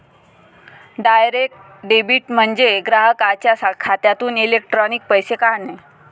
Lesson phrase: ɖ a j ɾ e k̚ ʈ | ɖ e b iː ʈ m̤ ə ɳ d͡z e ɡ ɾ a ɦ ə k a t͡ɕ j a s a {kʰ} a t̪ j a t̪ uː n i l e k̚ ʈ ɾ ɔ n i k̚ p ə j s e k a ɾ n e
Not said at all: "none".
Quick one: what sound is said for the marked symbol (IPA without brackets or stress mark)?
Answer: kʰ